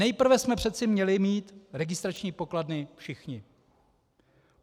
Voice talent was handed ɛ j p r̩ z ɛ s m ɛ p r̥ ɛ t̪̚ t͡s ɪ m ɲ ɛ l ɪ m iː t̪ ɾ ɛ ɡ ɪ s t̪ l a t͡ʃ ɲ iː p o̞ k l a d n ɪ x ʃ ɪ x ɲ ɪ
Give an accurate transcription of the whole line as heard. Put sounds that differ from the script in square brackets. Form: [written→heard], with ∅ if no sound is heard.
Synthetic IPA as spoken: ɛ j p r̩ [z→v] ɛ s m ɛ p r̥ ɛ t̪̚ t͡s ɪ m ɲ ɛ l ɪ m iː t̪ ɾ ɛ ɡ ɪ s t̪ [l→ɾ] a t͡ʃ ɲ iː p o̞ k l a d n ɪ [x→f] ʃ ɪ x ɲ ɪ